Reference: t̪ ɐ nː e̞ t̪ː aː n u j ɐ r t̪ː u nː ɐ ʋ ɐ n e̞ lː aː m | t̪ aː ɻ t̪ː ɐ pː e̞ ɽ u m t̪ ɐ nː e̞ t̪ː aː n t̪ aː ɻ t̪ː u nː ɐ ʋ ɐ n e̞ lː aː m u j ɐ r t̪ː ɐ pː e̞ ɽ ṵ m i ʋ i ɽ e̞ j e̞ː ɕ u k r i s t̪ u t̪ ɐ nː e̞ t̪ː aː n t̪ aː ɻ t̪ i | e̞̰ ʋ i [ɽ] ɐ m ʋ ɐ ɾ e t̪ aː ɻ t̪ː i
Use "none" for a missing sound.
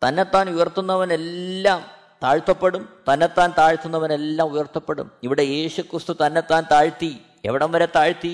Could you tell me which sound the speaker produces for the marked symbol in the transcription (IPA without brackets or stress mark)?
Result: ɽ